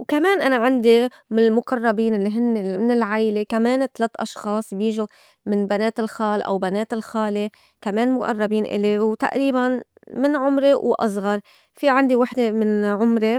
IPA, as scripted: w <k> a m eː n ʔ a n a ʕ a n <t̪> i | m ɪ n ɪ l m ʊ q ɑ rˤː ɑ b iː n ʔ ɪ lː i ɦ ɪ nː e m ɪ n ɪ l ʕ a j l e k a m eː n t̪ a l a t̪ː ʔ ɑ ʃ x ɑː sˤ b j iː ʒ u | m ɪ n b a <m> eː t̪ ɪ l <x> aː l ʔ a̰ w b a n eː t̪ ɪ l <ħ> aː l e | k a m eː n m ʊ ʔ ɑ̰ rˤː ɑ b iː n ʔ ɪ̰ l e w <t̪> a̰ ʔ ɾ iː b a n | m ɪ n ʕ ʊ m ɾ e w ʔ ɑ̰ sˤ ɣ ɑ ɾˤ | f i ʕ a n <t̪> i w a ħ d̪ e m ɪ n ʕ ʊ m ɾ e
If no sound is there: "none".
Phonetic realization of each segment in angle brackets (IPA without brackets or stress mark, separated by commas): k, d̪, n, x, x, t̪, d̪